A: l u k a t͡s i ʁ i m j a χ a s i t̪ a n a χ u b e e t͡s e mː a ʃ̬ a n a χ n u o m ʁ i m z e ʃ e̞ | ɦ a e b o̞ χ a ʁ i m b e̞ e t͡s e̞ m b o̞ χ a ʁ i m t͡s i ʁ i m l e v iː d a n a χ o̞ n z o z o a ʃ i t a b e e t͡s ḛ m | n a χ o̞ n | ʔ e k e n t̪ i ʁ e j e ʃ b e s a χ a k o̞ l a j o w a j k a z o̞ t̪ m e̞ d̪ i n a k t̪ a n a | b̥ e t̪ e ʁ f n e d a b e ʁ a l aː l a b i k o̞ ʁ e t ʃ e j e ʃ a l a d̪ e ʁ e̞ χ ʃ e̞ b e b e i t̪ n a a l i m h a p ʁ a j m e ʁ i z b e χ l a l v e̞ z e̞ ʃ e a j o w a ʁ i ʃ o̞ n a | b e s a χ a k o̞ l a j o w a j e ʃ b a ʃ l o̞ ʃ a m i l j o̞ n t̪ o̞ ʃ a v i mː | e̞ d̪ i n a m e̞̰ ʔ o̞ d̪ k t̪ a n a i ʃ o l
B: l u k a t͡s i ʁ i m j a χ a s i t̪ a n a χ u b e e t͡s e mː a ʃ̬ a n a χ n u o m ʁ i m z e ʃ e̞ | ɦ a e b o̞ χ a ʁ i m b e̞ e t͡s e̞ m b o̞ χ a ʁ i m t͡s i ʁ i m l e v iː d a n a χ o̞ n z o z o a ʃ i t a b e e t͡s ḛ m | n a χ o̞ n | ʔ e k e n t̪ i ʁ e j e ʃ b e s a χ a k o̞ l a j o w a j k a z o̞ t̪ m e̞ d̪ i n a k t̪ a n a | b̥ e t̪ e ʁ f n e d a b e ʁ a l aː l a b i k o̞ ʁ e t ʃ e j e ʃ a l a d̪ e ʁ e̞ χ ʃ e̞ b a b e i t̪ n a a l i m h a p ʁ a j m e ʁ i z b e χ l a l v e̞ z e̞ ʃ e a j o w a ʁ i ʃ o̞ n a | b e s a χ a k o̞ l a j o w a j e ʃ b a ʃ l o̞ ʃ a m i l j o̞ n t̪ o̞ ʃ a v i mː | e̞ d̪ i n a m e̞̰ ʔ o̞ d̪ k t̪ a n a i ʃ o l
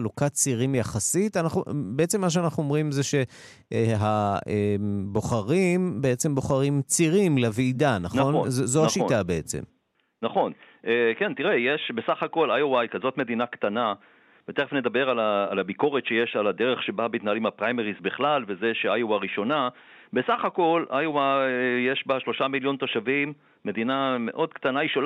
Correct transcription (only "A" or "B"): B